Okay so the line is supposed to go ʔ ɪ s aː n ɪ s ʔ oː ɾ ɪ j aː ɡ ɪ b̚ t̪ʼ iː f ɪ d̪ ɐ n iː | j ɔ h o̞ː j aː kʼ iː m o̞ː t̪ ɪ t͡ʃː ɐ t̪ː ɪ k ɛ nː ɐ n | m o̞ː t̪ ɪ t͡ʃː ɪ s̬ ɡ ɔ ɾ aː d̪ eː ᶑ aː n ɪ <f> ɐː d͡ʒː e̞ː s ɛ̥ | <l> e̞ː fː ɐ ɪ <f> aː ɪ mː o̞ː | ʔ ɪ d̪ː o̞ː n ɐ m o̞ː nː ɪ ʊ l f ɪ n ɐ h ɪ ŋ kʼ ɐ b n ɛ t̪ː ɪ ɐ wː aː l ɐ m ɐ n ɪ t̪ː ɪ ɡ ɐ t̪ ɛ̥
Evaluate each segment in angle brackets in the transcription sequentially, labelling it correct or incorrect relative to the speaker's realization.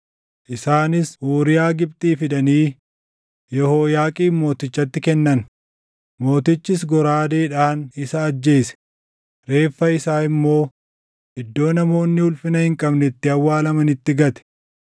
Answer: incorrect: s, incorrect: ɾ, incorrect: s

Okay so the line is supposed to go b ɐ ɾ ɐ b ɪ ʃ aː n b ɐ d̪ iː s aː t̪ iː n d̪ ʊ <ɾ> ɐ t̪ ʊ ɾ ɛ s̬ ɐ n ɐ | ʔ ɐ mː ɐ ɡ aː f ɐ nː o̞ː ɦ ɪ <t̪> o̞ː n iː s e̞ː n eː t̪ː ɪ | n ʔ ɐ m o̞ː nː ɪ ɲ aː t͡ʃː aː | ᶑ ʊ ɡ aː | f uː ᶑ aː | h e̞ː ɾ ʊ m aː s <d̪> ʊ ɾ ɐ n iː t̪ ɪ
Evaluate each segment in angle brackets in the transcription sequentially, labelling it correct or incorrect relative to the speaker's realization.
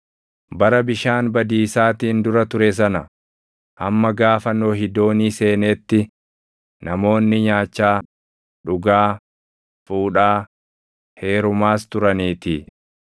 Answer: correct, incorrect: d̪, incorrect: t̪

